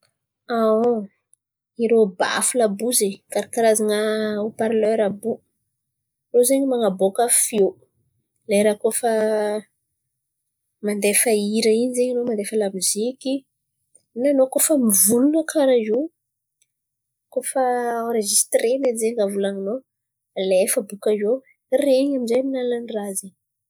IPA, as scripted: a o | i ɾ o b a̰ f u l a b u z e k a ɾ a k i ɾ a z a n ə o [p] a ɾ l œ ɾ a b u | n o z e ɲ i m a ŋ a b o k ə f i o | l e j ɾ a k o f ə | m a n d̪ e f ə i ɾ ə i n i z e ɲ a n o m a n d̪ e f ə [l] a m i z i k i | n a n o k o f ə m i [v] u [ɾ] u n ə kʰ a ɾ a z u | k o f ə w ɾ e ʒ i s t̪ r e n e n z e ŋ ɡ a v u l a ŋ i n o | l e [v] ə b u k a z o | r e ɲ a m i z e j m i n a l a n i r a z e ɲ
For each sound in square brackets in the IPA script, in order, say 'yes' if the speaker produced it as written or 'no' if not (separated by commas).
yes, yes, yes, no, no